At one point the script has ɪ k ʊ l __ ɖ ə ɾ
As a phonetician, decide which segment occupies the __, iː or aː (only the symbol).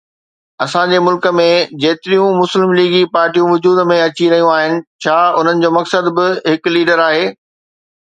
iː